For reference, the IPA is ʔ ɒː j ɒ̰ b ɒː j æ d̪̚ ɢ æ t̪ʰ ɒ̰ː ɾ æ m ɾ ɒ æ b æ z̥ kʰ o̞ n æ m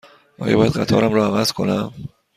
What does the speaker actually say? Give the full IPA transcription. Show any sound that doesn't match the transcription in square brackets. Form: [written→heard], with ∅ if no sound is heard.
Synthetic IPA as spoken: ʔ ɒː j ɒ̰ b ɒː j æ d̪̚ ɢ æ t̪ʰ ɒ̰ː ɾ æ m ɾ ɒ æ [b→v] æ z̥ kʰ o̞ n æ m